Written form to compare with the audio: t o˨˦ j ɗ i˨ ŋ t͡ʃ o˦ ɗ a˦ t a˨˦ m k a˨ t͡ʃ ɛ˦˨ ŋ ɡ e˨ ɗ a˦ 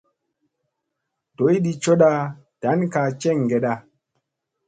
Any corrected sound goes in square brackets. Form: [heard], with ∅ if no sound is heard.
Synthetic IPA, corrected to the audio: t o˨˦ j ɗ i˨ [∅] t͡ʃ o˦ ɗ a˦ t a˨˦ [n] k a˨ t͡ʃ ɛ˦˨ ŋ ɡ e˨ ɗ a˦